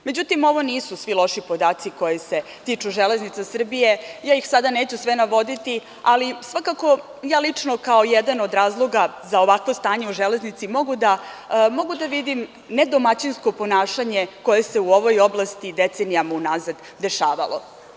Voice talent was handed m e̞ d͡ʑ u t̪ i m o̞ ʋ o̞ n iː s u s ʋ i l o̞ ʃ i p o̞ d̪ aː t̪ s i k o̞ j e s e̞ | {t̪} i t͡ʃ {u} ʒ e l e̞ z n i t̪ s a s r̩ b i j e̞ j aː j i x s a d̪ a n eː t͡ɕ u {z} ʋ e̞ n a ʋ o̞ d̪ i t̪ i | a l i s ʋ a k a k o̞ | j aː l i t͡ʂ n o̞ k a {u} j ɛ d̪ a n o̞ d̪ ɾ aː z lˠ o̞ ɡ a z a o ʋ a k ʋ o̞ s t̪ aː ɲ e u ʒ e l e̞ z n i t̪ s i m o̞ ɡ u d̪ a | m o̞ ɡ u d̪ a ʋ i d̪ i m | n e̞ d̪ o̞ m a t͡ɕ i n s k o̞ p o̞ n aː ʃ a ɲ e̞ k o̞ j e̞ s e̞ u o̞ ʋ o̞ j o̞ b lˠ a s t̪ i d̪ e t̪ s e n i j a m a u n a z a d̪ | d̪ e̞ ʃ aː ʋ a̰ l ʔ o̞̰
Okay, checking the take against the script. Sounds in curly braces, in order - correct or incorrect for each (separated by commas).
correct, correct, incorrect, incorrect